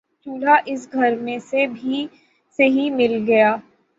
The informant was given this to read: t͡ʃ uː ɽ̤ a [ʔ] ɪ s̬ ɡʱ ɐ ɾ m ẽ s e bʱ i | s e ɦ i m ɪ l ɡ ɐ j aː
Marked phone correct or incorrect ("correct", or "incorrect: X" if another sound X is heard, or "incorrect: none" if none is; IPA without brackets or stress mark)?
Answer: correct